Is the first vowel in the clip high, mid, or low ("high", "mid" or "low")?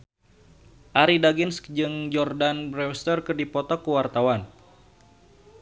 low